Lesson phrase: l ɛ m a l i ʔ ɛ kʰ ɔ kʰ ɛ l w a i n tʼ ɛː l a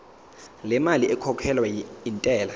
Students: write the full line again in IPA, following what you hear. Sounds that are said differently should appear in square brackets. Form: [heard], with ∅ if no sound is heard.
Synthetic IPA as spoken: l ɛ m a l i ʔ ɛ kʰ ɔ kʰ ɛ l w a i n tʼ ɛː l a